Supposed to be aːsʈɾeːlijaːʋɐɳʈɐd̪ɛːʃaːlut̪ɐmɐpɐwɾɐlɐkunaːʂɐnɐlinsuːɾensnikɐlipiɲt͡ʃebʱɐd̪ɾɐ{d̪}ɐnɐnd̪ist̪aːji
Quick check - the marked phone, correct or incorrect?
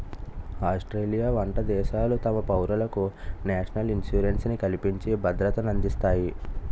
incorrect